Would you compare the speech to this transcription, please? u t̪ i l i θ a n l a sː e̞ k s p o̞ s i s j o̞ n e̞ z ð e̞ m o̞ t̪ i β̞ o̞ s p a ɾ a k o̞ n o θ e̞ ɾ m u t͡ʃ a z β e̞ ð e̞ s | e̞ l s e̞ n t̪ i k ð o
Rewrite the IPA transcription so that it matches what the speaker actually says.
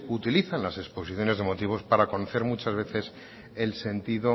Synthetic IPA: u t̪ i l i θ a n l a s e̞ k s p o̞ s i θ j o̞ n e̞ z ð e̞ m o̞ t̪ i β̞ o̞ s p a ɾ a k o̞ n o θ e̞ ɾ m u t͡ʃ a z β e̞ θ e̞ s | e̞ l s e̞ n t̪ i ð o